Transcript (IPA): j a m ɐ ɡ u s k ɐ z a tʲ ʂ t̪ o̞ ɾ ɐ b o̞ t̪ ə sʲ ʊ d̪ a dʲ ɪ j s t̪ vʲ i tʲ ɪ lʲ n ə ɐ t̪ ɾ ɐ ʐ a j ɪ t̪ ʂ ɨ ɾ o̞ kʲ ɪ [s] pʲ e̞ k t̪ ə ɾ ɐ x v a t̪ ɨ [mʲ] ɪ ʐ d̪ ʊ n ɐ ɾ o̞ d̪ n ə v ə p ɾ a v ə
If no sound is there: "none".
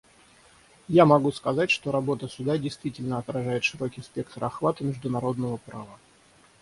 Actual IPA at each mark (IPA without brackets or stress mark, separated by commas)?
s, mʲ